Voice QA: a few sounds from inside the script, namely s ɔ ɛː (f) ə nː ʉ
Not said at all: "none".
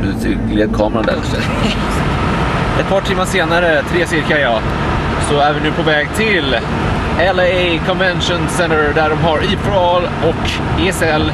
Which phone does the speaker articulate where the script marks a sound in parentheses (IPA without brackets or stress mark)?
v